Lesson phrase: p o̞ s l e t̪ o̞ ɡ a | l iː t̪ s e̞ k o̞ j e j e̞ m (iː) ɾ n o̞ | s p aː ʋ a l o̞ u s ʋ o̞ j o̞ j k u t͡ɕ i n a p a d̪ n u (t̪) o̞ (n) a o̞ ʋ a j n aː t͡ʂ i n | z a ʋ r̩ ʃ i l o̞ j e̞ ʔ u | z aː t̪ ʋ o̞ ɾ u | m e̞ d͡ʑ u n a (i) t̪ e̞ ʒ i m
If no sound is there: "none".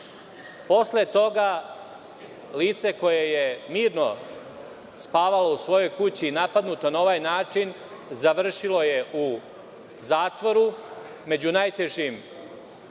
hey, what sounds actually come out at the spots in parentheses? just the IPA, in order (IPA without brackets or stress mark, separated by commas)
iː, t̪, n, j